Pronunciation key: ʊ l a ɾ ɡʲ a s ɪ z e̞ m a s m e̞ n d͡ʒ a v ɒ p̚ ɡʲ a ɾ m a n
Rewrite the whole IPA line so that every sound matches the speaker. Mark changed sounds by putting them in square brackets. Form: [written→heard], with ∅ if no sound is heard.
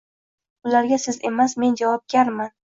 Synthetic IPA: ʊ l a ɾ ɡʲ a s ɪ z e̞ m a s m e̞ n d͡ʒ a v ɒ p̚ ɡʲ a ɾ m a n

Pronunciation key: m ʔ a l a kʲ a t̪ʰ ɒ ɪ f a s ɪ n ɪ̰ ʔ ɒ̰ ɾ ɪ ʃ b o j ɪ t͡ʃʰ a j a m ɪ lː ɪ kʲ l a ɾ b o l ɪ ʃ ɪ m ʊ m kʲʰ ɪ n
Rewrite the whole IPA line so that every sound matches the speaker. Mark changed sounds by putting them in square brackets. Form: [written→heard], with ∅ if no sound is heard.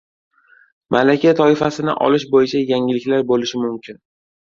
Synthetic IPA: m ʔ a l a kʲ a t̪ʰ ɒ ɪ f a s ɪ n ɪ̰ ʔ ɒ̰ [ɾ→l] ɪ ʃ b o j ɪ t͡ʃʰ a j a [m→ŋ] ɪ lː ɪ kʲ l a ɾ b o l ɪ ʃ ɪ m ʊ m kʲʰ ɪ n

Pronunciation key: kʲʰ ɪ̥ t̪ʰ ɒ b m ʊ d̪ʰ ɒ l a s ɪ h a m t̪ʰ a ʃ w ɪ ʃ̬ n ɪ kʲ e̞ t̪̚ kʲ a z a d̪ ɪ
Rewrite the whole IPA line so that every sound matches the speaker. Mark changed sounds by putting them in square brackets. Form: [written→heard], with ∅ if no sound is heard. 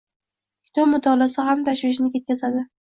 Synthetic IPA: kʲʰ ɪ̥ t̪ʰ ɒ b m ʊ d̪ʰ ɒ l a s ɪ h a m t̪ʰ a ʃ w ɪ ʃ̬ n ɪ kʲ e̞ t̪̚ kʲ a z a d̪ ɪ

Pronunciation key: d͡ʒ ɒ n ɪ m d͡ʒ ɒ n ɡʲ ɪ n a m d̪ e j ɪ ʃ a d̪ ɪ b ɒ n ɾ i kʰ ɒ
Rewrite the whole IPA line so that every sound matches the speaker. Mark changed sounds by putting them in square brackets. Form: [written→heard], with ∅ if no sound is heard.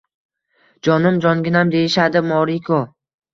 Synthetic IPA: d͡ʒ ɒ n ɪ m d͡ʒ ɒ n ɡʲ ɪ n a m d̪ e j ɪ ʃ a d̪ ɪ [b→m] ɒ [n→∅] ɾ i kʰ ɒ

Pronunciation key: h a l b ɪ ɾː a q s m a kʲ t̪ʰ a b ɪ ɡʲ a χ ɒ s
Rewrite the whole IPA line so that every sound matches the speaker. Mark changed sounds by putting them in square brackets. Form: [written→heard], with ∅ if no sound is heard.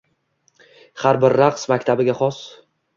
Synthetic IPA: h a [l→ɾ] b ɪ ɾː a q s m a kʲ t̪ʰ a b ɪ ɡʲ a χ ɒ s

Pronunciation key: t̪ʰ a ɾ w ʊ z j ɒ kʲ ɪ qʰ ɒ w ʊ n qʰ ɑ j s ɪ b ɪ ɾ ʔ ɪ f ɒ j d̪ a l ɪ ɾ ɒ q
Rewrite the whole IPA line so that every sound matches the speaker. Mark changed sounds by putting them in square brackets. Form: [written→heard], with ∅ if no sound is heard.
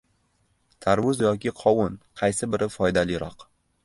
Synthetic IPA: t̪ʰ a ɾ w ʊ z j ɒ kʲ ɪ qʰ ɒ w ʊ n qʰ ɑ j s ɪ b ɪ ɾ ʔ ɪ f ɒ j d̪ a l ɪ ɾ ɒ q

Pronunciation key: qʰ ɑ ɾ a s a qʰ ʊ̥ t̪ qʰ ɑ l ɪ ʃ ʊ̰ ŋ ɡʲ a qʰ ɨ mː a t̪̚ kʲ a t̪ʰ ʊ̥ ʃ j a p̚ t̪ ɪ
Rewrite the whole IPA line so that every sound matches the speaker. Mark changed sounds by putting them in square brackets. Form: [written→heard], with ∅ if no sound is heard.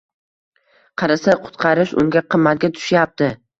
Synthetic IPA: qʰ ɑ ɾ a s a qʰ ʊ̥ t̪ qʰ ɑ [l→ɾ] ɪ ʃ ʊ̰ ŋ ɡʲ a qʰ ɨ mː a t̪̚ [kʲ→ɡʲ] a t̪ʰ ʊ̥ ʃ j a p̚ t̪ ɪ

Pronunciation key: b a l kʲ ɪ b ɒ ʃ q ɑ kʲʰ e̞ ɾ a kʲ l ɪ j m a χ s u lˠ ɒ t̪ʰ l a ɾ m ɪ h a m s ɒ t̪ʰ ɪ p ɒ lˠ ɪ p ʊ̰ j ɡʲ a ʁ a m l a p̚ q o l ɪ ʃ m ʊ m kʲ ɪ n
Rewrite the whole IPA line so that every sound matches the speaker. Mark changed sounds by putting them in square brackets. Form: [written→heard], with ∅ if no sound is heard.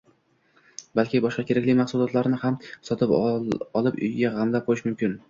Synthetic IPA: b a l kʲ ɪ b ɒ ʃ q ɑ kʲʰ e̞ ɾ a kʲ l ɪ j m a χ s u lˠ ɒ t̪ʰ l a ɾ [m→n] ɪ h a m s ɒ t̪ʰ ɪ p ɒ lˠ ɪ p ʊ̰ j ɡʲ a ʁ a m l a p̚ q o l ɪ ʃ m ʊ m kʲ ɪ n

